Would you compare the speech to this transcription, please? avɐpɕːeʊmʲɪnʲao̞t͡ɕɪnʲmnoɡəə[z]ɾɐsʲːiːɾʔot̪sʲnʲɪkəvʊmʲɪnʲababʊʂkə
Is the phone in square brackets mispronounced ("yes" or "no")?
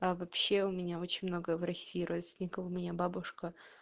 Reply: yes